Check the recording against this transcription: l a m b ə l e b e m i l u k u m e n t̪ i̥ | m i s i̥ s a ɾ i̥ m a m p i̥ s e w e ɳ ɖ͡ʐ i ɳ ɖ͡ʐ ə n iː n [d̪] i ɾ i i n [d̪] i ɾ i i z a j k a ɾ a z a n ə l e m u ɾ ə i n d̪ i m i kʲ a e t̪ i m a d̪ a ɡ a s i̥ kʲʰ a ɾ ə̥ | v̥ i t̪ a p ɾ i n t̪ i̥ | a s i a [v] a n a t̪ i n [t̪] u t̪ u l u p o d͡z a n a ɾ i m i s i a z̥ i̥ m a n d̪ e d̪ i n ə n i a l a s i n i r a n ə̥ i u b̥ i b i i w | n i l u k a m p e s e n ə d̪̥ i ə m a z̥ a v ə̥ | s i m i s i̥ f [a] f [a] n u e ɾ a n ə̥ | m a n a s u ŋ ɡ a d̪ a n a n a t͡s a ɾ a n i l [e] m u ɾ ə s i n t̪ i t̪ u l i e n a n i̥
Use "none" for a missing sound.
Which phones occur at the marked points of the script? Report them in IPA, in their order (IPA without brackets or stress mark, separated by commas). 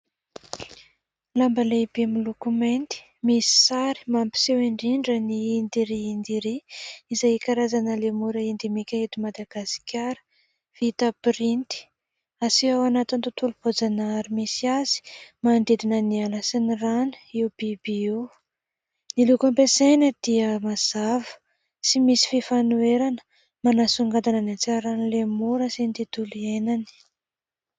d̪, d̪, w, t̪, i, a, e